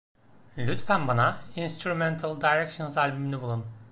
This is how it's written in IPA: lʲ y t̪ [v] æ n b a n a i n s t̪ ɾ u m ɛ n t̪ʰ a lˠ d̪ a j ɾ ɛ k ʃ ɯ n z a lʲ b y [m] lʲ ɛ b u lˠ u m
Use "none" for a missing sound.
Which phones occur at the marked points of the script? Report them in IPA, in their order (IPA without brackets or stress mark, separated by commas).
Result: f, m